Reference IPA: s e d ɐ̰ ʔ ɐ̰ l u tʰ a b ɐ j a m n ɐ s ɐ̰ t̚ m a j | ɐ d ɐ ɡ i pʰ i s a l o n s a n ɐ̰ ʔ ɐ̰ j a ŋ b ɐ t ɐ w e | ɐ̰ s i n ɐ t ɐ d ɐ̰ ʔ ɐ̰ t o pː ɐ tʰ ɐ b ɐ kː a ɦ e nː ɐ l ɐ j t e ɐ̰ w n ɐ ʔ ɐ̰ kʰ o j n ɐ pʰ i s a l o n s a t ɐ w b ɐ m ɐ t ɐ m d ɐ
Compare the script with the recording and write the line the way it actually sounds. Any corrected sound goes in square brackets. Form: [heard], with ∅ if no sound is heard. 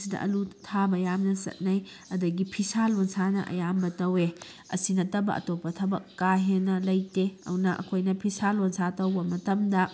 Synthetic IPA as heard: s [i] d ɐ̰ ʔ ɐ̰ l u tʰ a b ɐ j a m n ɐ s ɐ̰ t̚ [n] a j | ɐ d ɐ ɡ i pʰ i s a l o n s a n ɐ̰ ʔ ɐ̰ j a [m] b ɐ t ɐ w e | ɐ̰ s i n ɐ t ɐ [b] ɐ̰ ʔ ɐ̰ t o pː ɐ tʰ ɐ b ɐ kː a ɦ e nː ɐ l ɐ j t e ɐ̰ w n ɐ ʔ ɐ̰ kʰ o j n ɐ pʰ i s a l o n s a t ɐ w b ɐ m ɐ t ɐ m d ɐ

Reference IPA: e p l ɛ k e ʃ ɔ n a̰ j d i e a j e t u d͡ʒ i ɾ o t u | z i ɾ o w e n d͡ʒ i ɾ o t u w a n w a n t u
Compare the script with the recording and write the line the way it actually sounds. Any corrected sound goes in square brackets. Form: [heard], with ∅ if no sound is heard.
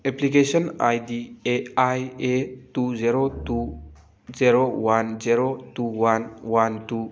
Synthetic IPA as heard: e p l [i] k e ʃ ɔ n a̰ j d i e a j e t u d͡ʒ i ɾ o t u | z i ɾ o w [a] n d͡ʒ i ɾ o t u w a n w a n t u

